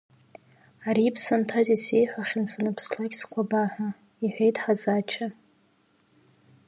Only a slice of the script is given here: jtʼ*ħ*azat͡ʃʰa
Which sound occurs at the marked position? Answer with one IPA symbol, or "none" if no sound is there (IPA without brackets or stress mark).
ħ